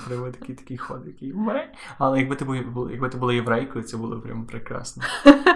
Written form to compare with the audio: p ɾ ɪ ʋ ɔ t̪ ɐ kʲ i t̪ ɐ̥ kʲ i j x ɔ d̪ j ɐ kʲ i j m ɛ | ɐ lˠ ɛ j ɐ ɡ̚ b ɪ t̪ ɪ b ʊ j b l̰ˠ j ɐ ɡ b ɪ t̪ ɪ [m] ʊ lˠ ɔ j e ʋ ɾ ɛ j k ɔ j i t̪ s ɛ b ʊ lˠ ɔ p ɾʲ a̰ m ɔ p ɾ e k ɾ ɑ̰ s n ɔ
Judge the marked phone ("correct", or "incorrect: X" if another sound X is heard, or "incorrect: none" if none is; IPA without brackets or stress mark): incorrect: b